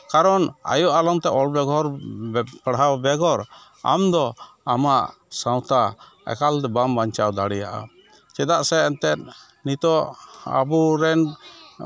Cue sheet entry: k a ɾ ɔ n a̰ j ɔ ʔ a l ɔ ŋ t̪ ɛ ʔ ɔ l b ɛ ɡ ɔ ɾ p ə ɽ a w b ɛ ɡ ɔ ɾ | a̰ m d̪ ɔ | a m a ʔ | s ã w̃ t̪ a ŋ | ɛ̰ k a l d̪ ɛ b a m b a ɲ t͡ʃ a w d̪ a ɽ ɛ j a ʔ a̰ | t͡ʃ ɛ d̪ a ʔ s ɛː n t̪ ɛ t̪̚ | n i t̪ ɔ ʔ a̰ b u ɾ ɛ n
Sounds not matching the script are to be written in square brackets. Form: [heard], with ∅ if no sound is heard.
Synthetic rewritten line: k a ɾ ɔ n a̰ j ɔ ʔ a l ɔ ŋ t̪ ɛ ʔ ɔ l b ɛ ɡ ɔ ɾ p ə ɽ a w b ɛ ɡ ɔ ɾ | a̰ m d̪ ɔ | a m a ʔ | s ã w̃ t̪ a [∅] | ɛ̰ k a l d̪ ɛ b a m b a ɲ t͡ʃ a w d̪ a ɽ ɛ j a ʔ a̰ | t͡ʃ ɛ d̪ a ʔ s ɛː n t̪ ɛ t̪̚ | n i t̪ ɔ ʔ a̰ b u ɾ ɛ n